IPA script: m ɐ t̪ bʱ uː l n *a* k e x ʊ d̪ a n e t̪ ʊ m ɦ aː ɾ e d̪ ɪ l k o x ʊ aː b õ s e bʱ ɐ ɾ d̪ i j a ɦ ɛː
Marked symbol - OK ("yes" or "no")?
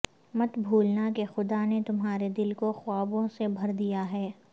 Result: yes